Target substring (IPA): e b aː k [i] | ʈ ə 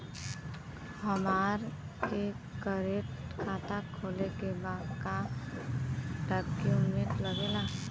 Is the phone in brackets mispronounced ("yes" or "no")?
yes